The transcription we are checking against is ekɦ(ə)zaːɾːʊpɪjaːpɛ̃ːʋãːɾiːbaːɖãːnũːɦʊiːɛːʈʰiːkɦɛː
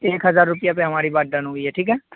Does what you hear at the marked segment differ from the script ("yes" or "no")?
no